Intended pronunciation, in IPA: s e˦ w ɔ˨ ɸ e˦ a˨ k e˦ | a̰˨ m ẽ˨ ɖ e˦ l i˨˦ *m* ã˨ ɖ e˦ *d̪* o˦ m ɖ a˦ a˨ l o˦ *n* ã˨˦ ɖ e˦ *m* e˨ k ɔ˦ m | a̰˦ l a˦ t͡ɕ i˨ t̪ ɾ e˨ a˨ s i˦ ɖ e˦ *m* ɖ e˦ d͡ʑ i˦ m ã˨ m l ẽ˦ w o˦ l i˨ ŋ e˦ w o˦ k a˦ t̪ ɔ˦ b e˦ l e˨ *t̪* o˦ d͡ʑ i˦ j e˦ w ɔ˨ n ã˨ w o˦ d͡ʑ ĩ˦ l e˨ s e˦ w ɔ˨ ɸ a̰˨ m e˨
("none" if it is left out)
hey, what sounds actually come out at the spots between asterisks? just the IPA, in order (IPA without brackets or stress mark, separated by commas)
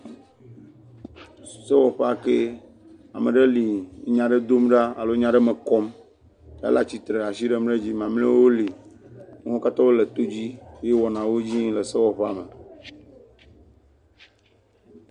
ɲ, d̪, ɲ, m, m, t̪